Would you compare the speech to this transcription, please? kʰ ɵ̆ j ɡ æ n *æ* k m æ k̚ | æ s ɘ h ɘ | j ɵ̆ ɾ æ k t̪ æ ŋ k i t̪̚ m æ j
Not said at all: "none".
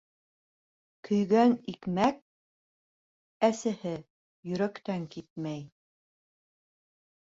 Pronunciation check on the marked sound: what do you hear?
i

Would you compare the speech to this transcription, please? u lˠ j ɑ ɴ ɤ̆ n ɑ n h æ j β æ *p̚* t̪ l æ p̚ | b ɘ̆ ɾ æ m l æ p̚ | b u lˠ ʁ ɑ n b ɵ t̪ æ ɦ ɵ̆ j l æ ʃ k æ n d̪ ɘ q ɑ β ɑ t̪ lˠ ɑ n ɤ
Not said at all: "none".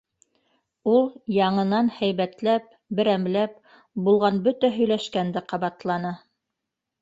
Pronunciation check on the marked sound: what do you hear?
none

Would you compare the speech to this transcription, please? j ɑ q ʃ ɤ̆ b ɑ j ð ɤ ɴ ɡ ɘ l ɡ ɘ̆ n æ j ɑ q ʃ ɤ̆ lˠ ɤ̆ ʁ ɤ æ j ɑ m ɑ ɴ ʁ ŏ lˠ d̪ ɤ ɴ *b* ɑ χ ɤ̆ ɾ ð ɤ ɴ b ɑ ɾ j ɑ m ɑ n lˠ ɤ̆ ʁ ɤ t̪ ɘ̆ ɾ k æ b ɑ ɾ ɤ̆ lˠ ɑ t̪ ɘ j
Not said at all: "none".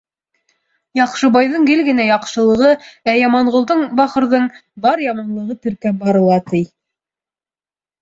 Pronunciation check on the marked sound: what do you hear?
b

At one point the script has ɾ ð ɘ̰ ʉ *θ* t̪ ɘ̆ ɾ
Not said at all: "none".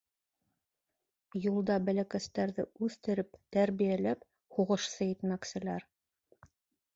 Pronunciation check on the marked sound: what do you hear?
θ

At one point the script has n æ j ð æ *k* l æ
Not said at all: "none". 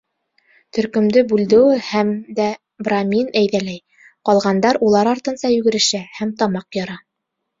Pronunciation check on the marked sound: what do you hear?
none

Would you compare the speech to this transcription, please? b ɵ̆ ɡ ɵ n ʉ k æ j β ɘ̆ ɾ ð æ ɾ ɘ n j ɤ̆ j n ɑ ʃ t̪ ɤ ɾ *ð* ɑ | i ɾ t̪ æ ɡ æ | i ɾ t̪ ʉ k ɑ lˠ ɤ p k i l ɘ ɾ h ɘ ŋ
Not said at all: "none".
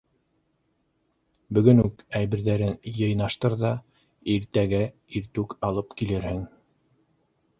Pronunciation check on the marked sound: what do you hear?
ð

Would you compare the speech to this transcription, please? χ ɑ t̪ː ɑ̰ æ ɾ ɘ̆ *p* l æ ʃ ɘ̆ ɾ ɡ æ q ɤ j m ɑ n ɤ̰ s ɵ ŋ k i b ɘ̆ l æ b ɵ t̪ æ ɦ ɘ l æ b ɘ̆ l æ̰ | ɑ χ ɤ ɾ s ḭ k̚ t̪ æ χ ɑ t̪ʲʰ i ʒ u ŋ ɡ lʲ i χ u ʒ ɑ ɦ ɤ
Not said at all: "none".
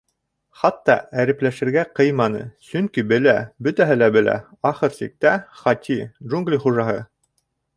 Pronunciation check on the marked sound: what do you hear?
p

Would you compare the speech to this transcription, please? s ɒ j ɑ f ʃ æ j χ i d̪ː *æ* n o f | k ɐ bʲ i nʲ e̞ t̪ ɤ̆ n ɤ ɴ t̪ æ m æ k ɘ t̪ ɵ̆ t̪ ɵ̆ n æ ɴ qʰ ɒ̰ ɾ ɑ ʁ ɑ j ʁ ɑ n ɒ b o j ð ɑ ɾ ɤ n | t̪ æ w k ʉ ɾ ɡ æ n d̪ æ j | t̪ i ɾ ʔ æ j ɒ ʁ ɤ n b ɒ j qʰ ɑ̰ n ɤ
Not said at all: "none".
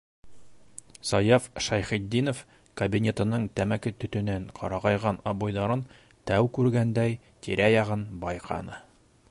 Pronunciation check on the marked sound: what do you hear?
i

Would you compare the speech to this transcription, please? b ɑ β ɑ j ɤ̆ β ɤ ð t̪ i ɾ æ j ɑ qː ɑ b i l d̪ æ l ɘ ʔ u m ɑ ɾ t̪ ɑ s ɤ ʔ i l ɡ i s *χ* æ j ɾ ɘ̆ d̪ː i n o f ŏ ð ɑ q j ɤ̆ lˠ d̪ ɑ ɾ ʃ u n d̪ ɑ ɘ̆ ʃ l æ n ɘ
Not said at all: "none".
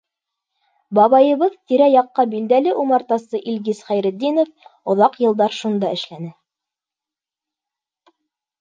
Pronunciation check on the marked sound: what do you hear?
χ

